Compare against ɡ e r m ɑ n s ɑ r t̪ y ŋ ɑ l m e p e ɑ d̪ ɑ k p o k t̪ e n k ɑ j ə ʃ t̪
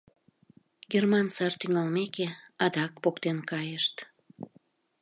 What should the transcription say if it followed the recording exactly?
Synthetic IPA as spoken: ɡ e r m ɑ n s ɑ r t̪ y ŋ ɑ l m e k e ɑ d̪ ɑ k p o k t̪ e n k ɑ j ə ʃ t̪